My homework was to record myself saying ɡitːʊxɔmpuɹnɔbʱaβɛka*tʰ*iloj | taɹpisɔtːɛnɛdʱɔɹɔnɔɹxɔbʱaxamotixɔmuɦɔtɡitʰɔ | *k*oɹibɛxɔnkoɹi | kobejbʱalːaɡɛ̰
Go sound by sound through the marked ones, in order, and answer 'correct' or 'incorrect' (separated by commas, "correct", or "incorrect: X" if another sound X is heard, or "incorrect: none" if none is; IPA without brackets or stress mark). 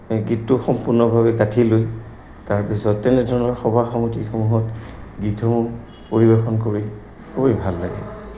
correct, incorrect: p